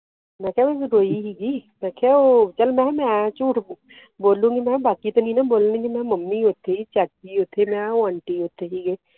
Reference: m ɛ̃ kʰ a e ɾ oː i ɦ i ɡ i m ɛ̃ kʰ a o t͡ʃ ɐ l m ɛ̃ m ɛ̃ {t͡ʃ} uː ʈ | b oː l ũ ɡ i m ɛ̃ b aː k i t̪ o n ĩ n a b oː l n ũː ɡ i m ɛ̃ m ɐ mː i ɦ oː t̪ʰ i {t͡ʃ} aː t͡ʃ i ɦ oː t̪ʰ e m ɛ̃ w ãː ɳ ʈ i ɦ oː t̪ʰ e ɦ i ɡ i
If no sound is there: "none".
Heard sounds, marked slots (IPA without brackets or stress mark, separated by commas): t͡ʃ, t͡ʃ